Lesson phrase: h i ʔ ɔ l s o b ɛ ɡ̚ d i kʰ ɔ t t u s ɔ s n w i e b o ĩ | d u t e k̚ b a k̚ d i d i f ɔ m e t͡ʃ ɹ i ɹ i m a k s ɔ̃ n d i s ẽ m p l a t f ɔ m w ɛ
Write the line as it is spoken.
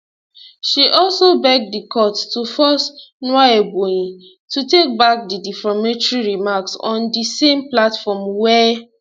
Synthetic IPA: ʃ i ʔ ɔ l s o b ɛ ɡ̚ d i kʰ ɔ t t u f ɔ s n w a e b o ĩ | t u t e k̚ b a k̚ d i d i f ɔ m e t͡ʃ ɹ i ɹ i m a k s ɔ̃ n d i s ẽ m p l a t f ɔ m w ɛ